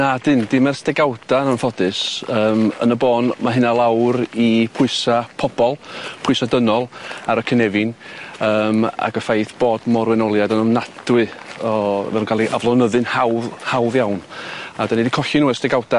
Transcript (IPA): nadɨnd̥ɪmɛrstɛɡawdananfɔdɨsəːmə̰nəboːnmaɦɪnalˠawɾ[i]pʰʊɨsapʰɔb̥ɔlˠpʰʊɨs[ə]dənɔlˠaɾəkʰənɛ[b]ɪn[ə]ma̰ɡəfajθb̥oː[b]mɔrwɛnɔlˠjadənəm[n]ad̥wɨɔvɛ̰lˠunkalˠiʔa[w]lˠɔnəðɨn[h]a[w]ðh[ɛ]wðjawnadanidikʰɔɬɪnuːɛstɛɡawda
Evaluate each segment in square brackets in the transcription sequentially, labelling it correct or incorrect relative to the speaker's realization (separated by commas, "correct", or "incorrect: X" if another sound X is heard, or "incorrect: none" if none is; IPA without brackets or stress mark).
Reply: correct, incorrect: a, incorrect: v, incorrect: əː, incorrect: d, correct, incorrect: v, correct, correct, incorrect: a